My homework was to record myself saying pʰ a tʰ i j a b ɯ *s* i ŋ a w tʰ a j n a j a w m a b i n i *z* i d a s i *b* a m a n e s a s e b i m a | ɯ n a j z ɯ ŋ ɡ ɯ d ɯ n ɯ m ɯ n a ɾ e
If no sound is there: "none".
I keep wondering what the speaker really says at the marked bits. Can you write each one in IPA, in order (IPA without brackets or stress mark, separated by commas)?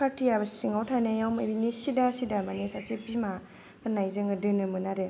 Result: s, s, d